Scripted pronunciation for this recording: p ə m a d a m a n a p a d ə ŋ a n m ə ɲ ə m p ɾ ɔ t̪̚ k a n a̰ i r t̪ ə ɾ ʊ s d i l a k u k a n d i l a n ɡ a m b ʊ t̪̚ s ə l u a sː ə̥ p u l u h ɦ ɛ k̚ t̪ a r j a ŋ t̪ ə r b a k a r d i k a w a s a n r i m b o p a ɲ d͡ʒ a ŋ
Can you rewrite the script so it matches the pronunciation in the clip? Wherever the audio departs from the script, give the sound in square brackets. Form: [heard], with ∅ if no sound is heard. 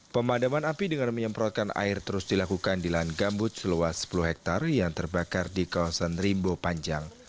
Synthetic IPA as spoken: p ə m a d a m a n a p [i] d ə ŋ a n m ə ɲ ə m p ɾ ɔ t̪̚ k a n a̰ [ɪ] r t̪ ə ɾ ʊ s d i l a k u k a n d i l a n ɡ a m b ʊ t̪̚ s ə l u a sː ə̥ p u l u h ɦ ɛ k̚ t̪ a r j a ŋ t̪ ə r b a k a r d i k a w a s a n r i m b o p a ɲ d͡ʒ a ŋ

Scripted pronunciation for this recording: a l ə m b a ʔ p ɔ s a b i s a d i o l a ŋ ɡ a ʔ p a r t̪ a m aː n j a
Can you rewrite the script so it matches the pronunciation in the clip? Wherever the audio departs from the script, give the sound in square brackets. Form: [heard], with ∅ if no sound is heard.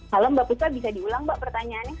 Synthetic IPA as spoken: a l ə m b a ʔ p [u] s a b i s a d i [u] l a ŋ [b] a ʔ p [ə] r t̪ a [ɲ] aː n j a

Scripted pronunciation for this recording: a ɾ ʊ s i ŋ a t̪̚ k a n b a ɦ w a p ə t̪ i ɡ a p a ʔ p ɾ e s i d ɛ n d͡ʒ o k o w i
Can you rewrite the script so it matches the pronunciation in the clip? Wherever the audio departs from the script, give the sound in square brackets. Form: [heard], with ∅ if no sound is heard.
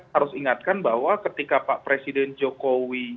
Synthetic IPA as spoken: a ɾ ʊ s i ŋ a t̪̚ k a n b a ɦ w a [k] ə t̪ i [k] a p a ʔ p ɾ e s i d ɛ n d͡ʒ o k o w i

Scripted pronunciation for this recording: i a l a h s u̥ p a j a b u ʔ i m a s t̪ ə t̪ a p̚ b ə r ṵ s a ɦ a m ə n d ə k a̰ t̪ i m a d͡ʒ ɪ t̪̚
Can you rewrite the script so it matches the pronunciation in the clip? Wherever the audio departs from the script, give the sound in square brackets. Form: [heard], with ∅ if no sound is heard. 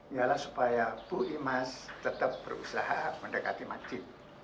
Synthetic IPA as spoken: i a l a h s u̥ p a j a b u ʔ i m a s t̪ ə t̪ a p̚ b ə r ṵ s a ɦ a m ə n d ə k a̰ t̪ i m a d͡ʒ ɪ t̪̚

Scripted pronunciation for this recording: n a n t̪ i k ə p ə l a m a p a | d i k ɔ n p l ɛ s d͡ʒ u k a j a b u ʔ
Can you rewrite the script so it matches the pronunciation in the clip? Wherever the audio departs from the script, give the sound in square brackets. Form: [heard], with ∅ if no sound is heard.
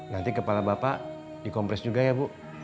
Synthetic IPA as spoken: n a n t̪ i k ə p [a] l a [b] a p a | d i k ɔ [m] p [ɾ] ɛ s d͡ʒ u [ɡ] a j a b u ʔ

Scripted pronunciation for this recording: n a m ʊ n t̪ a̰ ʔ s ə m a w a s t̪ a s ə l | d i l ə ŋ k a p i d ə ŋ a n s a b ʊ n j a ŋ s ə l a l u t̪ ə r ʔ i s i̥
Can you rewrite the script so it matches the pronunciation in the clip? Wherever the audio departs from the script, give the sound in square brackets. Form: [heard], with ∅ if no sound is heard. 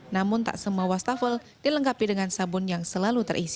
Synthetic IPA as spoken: n a m ʊ n t̪ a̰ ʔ s ə m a w a s t̪ a [f] ə l | d i l ə ŋ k a p i d ə ŋ a n s a b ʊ n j a ŋ s ə l a l u t̪ ə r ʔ i s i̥

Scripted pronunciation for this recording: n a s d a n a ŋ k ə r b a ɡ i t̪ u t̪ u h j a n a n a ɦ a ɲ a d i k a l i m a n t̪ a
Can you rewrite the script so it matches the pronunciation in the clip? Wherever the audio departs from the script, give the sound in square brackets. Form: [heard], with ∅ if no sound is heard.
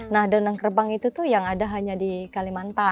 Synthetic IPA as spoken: n a [h] d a n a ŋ k ə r b a [ŋ] i t̪ u t̪ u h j a [ŋ] a [d] a ɦ a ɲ a d i k a l i m a n t̪ a

